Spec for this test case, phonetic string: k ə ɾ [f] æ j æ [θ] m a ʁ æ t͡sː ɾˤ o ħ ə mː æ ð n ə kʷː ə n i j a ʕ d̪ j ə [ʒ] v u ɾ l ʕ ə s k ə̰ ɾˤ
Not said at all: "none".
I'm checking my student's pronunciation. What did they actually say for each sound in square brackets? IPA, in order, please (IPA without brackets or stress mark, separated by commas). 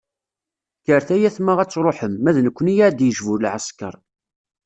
θ, θ, ʒ